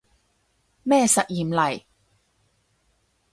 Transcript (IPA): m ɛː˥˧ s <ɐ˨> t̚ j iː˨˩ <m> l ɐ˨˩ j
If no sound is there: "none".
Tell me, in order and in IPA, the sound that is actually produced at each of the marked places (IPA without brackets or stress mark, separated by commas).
ɐ˨, m